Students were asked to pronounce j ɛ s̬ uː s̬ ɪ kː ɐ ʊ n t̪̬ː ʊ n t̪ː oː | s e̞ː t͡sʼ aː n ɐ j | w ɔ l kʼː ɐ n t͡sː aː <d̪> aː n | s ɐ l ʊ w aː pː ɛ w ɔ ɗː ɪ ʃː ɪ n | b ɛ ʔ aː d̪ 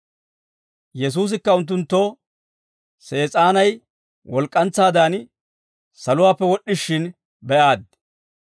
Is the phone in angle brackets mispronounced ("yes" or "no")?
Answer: no